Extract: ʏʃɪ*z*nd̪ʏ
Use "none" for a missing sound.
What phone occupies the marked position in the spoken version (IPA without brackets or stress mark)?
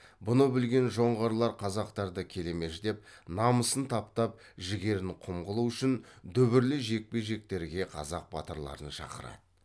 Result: none